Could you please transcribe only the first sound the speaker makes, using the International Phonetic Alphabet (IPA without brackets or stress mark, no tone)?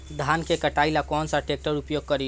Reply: d̪ʱ